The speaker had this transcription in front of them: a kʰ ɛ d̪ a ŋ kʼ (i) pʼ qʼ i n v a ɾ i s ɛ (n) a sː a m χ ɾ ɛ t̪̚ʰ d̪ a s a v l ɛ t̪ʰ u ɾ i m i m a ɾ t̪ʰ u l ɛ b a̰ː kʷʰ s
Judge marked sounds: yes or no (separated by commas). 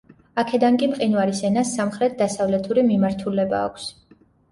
yes, yes